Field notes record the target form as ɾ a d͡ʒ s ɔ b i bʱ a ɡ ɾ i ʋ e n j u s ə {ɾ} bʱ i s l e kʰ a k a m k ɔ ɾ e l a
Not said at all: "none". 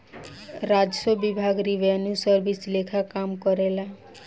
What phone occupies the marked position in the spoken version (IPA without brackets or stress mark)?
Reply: ɾ